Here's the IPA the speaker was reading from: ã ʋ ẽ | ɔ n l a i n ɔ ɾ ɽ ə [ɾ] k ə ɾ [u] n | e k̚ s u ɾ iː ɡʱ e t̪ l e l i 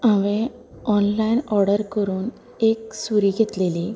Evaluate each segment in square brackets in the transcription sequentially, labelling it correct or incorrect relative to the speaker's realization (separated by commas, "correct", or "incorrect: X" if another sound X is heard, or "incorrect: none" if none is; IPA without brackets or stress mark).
correct, incorrect: uː